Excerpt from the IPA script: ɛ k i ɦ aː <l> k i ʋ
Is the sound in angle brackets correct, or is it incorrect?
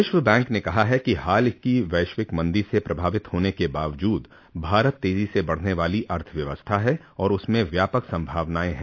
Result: correct